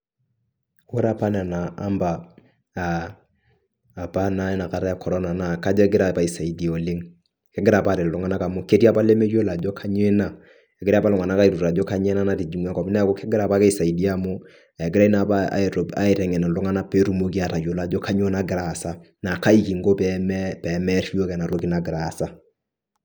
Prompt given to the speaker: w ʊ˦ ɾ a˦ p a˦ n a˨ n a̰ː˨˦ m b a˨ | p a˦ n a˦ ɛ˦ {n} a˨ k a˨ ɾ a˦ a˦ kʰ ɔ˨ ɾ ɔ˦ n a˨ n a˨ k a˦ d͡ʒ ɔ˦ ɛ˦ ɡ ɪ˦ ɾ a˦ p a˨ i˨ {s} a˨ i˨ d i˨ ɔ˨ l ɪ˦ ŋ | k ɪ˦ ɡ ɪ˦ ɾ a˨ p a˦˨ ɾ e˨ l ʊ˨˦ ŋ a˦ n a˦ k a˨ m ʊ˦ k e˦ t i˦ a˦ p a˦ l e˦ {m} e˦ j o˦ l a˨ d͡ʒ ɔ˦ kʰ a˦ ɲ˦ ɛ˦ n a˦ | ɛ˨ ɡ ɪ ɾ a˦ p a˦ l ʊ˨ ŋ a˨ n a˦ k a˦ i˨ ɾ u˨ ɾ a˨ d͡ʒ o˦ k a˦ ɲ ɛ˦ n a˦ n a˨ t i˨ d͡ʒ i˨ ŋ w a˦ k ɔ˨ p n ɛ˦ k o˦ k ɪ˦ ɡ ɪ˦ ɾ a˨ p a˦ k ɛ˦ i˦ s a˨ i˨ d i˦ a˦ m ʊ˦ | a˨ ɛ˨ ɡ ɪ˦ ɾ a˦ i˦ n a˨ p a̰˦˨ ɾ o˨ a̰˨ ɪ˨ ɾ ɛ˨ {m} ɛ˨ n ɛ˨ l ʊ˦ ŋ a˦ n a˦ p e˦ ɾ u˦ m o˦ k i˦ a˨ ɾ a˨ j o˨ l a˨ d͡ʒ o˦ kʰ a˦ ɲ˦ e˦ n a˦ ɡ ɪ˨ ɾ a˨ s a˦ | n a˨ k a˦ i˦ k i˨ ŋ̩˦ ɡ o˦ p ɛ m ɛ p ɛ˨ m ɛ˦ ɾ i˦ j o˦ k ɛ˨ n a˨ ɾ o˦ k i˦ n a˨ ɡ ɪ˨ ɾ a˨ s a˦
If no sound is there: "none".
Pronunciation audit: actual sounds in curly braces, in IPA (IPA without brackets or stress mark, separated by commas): n, s, m, ŋ